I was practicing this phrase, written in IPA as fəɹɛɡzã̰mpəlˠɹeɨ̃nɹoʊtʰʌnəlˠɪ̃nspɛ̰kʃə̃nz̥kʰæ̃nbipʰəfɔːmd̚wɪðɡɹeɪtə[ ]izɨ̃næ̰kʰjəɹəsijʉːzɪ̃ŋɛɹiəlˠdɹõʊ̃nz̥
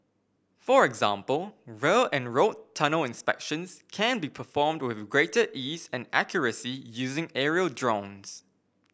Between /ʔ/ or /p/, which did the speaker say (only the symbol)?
ʔ